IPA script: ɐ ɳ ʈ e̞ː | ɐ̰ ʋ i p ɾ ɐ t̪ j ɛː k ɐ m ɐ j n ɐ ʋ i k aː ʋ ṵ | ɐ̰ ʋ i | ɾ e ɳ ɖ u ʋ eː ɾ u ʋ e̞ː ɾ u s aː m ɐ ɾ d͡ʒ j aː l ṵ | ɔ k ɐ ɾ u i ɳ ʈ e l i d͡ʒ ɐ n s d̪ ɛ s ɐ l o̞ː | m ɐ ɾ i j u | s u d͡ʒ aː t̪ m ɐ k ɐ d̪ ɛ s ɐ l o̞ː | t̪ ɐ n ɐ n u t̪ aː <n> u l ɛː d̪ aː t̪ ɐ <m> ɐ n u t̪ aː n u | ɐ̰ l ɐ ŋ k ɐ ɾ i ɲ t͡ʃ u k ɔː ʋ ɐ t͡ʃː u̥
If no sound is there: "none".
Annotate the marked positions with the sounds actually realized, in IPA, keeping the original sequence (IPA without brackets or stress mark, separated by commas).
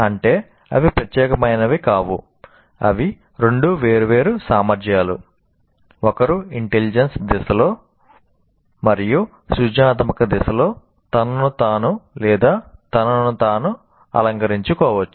n, n